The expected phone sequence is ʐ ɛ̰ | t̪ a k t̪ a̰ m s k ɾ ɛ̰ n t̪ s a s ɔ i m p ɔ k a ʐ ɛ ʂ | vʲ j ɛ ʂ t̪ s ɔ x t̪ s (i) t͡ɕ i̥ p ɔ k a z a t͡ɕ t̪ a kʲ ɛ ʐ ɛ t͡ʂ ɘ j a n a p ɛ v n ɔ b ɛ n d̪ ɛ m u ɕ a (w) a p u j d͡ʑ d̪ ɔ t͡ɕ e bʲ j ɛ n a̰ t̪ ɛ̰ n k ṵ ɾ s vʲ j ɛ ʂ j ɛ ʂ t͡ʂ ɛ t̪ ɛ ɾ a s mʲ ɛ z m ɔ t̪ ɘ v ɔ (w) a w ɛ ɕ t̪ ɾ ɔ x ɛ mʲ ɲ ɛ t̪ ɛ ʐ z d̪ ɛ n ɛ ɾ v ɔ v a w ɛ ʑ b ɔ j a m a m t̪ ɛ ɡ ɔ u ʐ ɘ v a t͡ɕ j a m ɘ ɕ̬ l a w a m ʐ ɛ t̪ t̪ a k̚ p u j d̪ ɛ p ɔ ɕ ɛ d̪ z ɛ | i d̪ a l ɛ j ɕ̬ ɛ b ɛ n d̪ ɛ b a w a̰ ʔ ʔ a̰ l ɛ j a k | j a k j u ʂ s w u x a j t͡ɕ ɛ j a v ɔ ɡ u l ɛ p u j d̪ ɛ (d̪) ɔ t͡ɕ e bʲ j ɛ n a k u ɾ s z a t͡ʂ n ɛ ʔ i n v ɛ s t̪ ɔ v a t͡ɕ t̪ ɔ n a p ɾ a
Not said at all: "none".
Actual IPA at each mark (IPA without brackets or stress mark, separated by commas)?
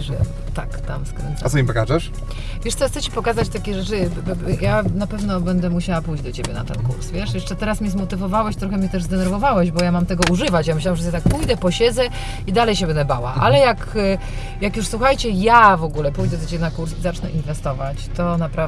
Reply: ɛ, w, v, d̪